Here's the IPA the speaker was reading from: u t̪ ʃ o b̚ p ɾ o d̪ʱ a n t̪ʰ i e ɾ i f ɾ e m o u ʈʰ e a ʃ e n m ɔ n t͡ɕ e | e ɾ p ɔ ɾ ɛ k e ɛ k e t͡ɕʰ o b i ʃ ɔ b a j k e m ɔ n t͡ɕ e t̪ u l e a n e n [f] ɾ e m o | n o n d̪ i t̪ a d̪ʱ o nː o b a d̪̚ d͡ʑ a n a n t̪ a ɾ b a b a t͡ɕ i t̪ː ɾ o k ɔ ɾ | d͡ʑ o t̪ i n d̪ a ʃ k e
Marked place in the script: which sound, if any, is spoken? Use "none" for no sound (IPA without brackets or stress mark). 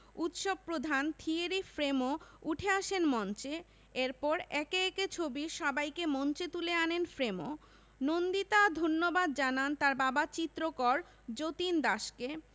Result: f